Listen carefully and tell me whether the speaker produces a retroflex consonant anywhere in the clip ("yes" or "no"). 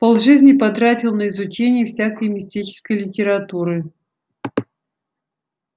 yes